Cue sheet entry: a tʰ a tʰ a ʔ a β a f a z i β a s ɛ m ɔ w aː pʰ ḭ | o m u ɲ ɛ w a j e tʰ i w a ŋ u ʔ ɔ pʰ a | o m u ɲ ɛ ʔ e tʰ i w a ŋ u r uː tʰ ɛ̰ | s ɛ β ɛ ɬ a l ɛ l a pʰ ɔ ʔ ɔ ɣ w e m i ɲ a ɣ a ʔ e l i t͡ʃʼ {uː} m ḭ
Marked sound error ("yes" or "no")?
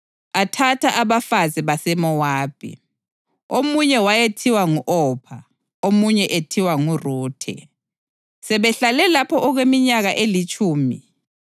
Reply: no